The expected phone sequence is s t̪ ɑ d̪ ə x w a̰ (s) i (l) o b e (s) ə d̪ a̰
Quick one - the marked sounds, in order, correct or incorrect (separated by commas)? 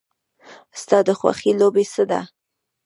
incorrect, correct, correct